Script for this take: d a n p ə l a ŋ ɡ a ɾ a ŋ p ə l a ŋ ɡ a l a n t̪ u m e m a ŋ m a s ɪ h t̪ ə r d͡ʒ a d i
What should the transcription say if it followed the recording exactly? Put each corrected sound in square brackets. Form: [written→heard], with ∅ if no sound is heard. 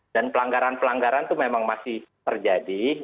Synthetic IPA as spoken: d a n p ə l a ŋ ɡ a ɾ a [ŋ→n] p ə l a ŋ ɡ a [l→ɾ] a n t̪ u m e m a ŋ m a s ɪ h t̪ ə r d͡ʒ a d i